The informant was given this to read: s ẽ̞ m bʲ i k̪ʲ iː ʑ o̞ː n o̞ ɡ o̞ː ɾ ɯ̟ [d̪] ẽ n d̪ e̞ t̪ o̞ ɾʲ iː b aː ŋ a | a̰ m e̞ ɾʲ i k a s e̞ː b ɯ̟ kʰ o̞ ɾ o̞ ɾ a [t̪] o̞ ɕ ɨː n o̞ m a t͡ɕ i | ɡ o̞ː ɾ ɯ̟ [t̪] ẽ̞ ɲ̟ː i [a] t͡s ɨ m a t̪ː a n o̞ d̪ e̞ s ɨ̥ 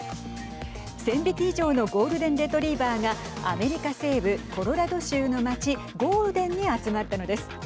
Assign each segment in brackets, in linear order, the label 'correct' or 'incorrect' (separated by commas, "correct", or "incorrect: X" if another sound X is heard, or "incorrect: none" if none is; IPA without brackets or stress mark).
correct, incorrect: d̪, incorrect: d̪, correct